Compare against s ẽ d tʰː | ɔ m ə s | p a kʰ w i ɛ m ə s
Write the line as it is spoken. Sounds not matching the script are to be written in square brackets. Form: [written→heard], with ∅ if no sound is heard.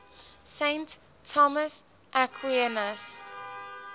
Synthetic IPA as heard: s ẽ [d→n] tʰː | ɔ m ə s | [p→ʔ] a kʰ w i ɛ [m→n] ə s